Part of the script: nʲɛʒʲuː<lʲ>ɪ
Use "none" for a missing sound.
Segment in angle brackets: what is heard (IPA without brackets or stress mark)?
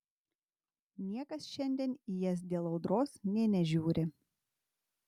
ɾʲ